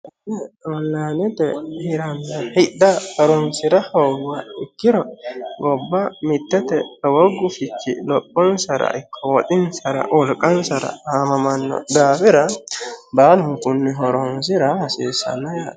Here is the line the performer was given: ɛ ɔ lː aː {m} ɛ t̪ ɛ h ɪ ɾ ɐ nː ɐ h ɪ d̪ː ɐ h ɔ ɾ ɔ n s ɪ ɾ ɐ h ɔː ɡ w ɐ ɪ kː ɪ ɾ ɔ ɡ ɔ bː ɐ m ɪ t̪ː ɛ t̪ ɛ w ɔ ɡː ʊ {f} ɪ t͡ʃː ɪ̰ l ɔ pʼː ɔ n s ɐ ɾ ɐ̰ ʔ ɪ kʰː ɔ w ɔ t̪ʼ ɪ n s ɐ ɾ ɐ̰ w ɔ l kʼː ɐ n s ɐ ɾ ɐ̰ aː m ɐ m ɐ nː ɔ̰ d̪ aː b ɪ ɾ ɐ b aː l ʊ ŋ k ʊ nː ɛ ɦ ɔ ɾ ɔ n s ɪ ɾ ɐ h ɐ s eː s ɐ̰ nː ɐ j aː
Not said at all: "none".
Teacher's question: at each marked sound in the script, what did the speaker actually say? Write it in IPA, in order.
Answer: n, f

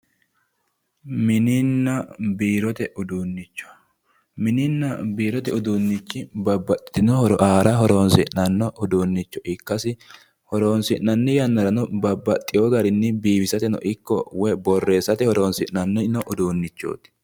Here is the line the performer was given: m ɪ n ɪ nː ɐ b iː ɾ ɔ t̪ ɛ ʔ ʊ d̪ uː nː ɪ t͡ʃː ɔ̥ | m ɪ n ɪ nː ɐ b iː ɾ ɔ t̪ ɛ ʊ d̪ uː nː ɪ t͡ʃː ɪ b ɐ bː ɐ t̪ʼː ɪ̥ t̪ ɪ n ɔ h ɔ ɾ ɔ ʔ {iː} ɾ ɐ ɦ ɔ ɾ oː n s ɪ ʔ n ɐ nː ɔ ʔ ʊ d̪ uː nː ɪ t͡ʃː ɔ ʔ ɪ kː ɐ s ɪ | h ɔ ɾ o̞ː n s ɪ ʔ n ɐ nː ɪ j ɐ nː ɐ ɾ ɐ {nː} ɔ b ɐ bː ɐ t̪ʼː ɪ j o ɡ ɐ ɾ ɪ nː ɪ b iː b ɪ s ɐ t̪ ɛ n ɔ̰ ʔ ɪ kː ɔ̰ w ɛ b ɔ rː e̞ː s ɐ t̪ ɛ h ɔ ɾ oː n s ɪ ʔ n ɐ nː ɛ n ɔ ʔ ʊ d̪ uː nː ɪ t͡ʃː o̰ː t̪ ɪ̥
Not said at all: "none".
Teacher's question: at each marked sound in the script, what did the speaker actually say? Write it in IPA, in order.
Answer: aː, n

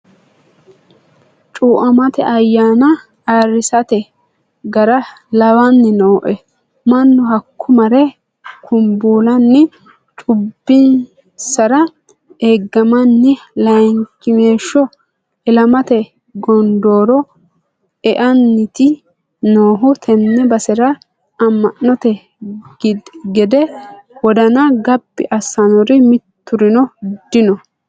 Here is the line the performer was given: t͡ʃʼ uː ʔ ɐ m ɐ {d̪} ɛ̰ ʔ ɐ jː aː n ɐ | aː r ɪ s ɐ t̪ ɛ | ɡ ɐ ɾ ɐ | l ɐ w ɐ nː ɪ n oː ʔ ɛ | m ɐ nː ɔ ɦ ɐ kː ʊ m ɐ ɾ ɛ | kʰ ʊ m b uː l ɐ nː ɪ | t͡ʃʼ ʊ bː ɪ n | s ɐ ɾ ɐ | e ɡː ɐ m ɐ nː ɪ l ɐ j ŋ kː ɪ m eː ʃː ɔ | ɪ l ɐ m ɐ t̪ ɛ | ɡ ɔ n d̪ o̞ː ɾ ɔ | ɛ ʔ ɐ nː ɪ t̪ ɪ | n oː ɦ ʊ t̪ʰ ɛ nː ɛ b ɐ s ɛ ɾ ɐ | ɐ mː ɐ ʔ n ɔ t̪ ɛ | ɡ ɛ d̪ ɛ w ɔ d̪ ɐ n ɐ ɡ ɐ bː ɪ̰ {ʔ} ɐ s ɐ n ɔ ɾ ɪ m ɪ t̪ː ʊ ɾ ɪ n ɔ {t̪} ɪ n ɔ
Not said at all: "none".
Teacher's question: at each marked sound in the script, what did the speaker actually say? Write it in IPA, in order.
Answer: t̪, ʔ, d̪

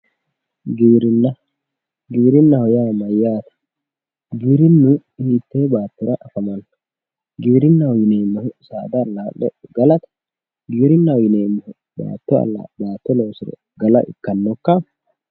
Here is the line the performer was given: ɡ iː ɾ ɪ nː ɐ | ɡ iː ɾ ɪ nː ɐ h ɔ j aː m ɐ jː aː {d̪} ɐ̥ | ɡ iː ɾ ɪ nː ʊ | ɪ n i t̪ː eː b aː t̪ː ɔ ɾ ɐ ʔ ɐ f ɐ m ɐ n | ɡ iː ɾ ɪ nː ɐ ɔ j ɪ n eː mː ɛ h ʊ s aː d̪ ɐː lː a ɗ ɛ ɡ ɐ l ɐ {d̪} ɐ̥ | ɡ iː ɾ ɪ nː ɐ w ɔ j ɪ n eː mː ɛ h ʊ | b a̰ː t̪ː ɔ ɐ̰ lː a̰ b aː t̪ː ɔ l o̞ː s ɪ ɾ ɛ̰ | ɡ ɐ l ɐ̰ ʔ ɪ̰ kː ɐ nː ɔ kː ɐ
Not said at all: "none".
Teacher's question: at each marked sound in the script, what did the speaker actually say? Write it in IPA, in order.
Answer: t̪, t̪

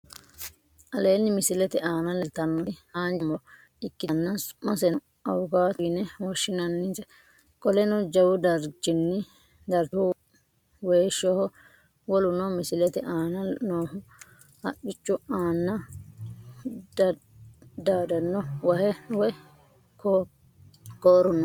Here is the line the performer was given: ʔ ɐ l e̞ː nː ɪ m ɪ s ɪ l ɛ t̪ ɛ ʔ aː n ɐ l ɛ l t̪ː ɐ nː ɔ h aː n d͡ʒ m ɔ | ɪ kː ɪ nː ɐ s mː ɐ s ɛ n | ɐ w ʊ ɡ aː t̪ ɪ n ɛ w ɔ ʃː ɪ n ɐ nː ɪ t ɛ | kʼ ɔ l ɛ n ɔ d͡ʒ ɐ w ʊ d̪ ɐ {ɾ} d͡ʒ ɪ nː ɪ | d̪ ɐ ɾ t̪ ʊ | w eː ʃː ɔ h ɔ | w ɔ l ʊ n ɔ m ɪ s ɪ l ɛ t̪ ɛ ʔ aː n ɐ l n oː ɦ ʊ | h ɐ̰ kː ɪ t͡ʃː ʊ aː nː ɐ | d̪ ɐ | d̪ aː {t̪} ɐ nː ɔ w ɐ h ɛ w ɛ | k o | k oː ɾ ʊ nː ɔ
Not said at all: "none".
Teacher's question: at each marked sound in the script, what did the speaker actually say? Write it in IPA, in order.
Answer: ɾ, d̪

